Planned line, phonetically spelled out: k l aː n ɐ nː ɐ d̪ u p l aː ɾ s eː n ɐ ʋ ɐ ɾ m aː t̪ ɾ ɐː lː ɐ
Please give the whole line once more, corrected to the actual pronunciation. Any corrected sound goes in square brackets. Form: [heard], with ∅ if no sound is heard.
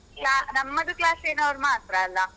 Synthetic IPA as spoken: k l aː n ɐ [mː] ɐ d̪ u [k] l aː [∅] s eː n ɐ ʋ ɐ ɾ m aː t̪ ɾ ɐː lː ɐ